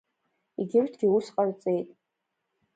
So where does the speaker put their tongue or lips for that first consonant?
velum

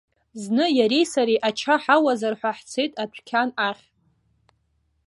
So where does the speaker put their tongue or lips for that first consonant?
tongue tip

